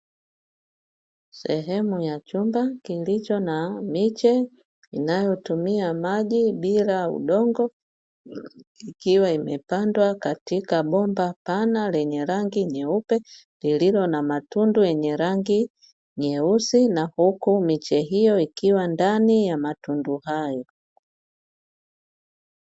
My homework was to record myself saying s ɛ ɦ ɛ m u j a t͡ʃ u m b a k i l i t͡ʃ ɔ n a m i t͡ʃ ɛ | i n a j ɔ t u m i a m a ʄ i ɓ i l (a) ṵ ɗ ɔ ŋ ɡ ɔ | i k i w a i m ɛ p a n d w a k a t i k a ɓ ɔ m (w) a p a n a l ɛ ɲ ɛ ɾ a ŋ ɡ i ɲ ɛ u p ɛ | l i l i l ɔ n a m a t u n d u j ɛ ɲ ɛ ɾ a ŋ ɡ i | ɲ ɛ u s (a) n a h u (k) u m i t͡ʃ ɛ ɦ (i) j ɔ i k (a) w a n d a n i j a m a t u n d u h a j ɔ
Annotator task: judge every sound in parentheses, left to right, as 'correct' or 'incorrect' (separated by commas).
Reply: correct, incorrect, incorrect, correct, correct, incorrect